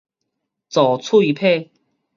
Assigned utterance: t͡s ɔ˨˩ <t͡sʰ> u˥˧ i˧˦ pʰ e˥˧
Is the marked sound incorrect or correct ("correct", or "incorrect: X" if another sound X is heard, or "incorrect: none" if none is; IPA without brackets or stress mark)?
correct